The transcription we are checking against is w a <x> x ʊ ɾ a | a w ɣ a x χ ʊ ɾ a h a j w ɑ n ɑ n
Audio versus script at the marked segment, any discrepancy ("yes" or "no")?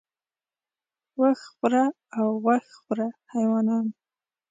no